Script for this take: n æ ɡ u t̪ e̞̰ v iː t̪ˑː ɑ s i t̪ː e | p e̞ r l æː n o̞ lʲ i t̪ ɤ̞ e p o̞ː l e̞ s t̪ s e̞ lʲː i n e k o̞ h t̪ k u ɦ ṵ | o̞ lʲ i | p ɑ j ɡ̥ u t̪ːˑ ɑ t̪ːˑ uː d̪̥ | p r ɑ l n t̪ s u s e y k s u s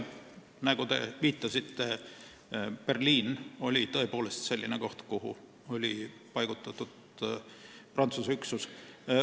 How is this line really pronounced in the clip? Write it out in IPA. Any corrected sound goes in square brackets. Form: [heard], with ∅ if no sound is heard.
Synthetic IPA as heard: n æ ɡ u t̪ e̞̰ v iː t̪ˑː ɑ s i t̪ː e | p e̞ r l [iː] n o̞ lʲ i t̪ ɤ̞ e p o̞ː l e̞ s t̪ s e̞ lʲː i n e k o̞ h t̪ k u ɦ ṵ | o̞ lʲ i | p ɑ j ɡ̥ u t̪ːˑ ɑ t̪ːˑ [u] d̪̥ | p r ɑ [∅] n t̪ s u s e y k s u s